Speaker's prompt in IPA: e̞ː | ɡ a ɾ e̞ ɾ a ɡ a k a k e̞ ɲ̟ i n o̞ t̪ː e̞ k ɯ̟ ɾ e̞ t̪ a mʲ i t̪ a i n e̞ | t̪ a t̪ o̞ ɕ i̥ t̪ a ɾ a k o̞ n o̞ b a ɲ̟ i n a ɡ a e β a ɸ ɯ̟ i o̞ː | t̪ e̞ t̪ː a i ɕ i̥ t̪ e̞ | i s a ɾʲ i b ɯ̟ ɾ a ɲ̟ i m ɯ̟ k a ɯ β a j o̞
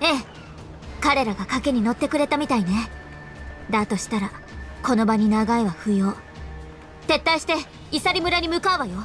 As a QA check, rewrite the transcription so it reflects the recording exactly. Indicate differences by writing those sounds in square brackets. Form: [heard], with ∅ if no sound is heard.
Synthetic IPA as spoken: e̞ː | [k] a ɾ e̞ ɾ a ɡ a k a k e̞ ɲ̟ i n o̞ t̪ː e̞ k ɯ̟ ɾ e̞ t̪ a mʲ i t̪ a i n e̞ | [d̪] a t̪ o̞ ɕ i̥ t̪ a ɾ a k o̞ n o̞ b a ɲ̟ i n a ɡ a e β a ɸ ɯ̟ [j] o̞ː | t̪ e̞ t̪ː a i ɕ i̥ t̪ e̞ | i s a ɾʲ i [m] ɯ̟ ɾ a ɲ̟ i m ɯ̟ k a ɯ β a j o̞